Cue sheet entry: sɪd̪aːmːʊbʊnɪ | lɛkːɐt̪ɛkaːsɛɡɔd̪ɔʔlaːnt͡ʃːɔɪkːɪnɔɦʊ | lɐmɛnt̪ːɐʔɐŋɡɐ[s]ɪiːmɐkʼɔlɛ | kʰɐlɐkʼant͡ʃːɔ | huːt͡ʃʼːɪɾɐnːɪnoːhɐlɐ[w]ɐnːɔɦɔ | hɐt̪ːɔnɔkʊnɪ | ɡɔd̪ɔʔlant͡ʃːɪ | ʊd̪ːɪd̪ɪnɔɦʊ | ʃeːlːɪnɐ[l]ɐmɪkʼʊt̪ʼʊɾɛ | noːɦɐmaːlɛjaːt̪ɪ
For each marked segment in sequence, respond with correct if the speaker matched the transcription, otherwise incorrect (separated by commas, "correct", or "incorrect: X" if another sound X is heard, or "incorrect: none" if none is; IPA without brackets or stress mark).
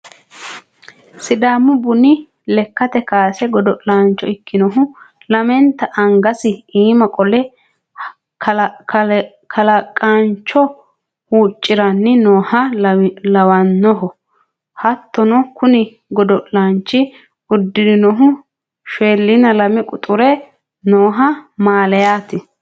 correct, correct, correct